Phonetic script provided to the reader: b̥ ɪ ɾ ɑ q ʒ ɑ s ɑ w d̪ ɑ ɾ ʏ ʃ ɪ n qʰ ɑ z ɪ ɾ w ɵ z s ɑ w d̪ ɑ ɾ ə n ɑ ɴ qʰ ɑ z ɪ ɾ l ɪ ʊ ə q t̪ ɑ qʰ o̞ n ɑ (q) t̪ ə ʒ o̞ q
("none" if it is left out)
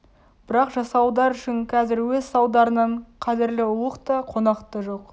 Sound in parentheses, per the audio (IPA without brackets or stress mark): q